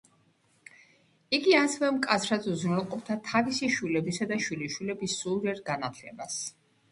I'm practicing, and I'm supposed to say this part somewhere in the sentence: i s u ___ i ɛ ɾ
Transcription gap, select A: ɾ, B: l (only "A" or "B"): A